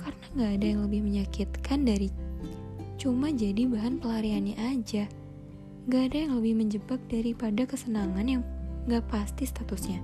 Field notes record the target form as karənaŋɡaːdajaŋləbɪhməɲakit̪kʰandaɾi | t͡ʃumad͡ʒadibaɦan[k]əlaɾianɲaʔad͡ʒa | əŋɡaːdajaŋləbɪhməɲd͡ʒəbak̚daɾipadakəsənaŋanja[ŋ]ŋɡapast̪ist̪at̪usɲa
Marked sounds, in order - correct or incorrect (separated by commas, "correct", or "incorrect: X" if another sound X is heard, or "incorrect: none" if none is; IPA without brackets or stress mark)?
incorrect: p, correct